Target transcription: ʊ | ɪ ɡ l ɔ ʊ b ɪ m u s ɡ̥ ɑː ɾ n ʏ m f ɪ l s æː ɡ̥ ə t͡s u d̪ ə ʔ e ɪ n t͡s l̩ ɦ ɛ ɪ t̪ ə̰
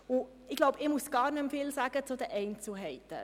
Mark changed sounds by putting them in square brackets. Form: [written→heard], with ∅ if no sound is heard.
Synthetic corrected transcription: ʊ | ɪ ɡ l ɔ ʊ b ɪ m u s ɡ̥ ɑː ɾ n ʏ m f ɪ l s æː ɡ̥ ə t͡s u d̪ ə ʔ [e→ɛ] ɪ n t͡s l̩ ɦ ɛ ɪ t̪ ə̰